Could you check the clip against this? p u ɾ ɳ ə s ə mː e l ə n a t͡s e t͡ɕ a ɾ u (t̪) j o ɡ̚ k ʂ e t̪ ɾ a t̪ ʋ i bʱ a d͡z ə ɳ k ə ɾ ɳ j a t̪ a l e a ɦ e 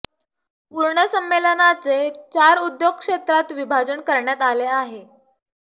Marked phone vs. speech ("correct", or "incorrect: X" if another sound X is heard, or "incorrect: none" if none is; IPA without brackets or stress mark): incorrect: d̪